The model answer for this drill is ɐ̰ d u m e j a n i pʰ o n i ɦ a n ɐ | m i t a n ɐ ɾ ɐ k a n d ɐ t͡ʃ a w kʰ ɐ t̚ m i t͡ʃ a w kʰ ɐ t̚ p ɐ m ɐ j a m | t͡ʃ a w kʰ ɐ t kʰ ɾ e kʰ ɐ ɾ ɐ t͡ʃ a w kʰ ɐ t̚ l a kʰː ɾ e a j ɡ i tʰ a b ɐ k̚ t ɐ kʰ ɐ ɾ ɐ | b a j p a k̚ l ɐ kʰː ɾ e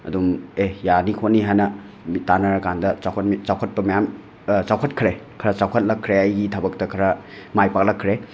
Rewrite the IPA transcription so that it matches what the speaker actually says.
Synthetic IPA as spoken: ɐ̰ d u m e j a n i kʰ o n i ɦ a n ɐ | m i t a n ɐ ɾ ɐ k a n d ɐ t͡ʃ a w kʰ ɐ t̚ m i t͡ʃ a w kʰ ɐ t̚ p ɐ m ɐ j a m | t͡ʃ a w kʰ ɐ t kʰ ɾ e kʰ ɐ ɾ ɐ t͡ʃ a w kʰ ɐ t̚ l ɐ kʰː ɾ e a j ɡ i tʰ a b ɐ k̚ t ɐ kʰ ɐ ɾ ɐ | m a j p a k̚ l ɐ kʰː ɾ e

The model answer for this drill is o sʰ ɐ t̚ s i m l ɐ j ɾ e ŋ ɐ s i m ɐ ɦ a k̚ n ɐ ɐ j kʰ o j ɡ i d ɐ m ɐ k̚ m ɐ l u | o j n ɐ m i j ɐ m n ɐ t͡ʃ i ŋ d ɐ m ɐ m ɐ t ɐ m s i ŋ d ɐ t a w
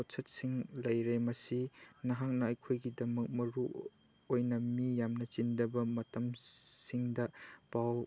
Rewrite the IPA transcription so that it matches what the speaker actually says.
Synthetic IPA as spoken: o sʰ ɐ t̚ s i ŋ l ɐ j ɾ e m ɐ s i n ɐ ɦ a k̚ n ɐ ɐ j kʰ o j ɡ i d ɐ m ɐ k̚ m ɐ ɾ u | o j n ɐ m i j a m n ɐ t͡ʃ i n d ɐ b ɐ m ɐ t ɐ m s i ŋ d ɐ p a w

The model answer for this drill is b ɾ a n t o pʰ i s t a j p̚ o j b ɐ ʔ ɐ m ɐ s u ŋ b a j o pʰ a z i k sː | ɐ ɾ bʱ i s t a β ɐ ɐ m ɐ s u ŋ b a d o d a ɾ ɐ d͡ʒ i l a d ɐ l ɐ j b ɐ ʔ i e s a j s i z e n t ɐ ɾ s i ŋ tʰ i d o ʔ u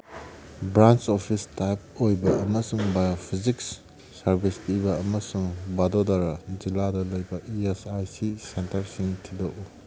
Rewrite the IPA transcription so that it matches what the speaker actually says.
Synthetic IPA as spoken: b ɾ a n t͡ʃ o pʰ i s t a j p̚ o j b ɐ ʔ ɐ m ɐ s u ŋ b a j o pʰ i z i k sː | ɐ ɾ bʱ i s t i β ɐ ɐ m ɐ s u ŋ b a d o d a ɾ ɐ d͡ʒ i l a d ɐ l ɐ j b ɐ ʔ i e s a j s i s e n t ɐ ɾ s i ŋ tʰ i d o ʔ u

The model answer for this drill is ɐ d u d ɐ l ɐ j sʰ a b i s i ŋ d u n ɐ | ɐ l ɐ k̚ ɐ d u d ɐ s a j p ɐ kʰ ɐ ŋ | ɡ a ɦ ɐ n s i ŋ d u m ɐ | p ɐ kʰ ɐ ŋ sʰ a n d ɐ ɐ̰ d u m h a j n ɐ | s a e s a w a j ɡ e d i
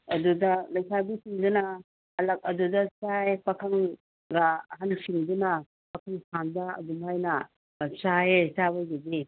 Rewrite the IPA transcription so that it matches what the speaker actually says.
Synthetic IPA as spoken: ɐ d u d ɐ l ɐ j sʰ a b i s i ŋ d u n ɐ | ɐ l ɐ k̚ ɐ d u d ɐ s a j p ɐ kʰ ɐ ŋ | ɡ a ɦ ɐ n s i ŋ d u n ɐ | p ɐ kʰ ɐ ŋ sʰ a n d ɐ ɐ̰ d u m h a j n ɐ | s a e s a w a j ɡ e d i

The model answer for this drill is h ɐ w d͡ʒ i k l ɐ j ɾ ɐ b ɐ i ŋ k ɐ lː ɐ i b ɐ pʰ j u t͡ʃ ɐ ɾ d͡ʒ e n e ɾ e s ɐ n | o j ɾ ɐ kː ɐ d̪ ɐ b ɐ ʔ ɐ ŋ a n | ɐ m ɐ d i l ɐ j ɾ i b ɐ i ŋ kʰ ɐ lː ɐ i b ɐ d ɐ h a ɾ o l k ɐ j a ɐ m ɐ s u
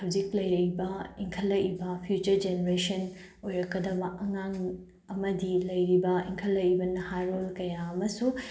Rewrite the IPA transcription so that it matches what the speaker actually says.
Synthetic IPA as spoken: h ɐ w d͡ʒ i k l ɐ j ɾ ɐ b ɐ i ŋ kʰ ɐ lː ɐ i b ɐ pʰ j u t͡ʃ ɐ ɾ d͡ʒ e n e ɾ e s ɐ n | o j ɾ ɐ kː ɐ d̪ ɐ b ɐ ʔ ɐ ŋ a ŋ | ɐ m ɐ d i l ɐ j ɾ i b ɐ i ŋ kʰ ɐ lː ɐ i b ɐ n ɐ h a ɾ o l k ɐ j a ɐ m ɐ s u

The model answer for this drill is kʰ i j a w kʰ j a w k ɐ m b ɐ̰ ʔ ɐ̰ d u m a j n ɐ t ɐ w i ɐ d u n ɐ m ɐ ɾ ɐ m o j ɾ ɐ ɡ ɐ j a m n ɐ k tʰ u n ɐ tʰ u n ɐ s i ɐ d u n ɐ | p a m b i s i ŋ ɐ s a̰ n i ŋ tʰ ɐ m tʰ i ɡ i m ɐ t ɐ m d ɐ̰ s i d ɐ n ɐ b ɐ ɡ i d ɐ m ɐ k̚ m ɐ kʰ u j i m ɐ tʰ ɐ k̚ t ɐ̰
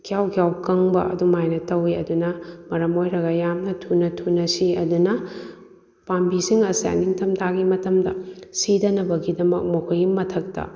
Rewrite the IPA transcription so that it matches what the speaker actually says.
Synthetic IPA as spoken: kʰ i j a w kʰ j a w k ɐ ŋ b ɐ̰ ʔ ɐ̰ d u m a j n ɐ t ɐ w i ɐ d u n ɐ m ɐ ɾ ɐ m o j ɾ ɐ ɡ ɐ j a m n ɐ tʰ u n ɐ tʰ u n ɐ s i ɐ d u n ɐ | p a m b i s i ŋ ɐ s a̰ n i ŋ tʰ ɐ m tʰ a ɡ i m ɐ t ɐ m d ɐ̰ s i d ɐ n ɐ b ɐ ɡ i d ɐ m ɐ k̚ m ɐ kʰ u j i m ɐ tʰ ɐ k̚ t ɐ̰

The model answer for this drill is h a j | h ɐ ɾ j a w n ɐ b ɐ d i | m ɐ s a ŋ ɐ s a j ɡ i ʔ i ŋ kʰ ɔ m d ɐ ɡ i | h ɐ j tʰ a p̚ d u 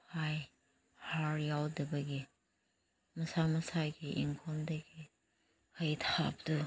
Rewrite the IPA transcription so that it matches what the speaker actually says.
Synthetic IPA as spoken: h a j | h a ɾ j a w d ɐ b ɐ ɡ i | m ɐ s a m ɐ s a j ɡ i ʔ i ŋ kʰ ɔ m d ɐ ɡ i | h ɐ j tʰ a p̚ d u

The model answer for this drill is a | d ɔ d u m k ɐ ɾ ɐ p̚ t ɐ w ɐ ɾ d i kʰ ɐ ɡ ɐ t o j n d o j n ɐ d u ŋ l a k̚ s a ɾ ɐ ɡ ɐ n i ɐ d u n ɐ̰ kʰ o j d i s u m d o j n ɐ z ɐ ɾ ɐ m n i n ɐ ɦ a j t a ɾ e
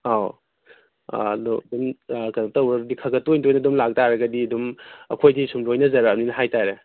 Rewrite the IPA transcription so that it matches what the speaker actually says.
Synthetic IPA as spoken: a | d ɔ d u m k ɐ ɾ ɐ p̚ t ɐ w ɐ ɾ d i kʰ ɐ ɡ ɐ t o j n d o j n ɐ d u m l a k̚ t a ɾ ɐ ɡ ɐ d i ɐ d u m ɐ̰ kʰ o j d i s u m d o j n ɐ z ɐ ɾ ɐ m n i n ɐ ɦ a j t a ɾ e

